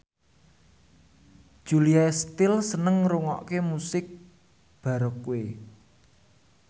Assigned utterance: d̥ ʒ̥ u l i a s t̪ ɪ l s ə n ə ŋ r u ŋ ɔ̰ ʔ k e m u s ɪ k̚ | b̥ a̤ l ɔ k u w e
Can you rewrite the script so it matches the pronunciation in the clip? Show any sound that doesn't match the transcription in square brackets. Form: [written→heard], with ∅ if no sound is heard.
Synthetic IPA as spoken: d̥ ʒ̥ u l i a s t̪ ɪ l s ə n ə ŋ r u ŋ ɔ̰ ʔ k e m u s ɪ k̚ | b̥ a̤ [l→ɾ] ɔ k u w e